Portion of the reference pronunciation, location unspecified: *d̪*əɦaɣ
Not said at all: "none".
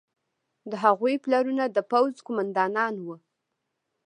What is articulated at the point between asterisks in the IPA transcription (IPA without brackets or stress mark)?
d̪